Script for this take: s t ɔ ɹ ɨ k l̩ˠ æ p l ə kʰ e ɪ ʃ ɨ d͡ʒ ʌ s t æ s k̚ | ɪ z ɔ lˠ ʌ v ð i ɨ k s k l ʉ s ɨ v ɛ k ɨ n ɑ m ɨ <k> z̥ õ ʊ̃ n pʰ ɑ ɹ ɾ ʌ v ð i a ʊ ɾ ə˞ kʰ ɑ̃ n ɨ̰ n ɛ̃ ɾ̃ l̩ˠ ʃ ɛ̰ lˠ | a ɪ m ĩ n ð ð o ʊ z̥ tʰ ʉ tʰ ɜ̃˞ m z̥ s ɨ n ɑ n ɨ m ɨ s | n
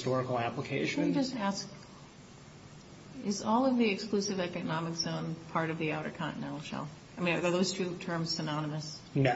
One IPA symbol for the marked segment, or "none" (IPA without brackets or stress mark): k